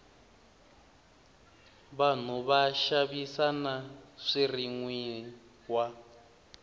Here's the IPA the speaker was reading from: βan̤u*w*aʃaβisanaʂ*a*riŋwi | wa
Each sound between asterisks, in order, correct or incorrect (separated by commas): incorrect, incorrect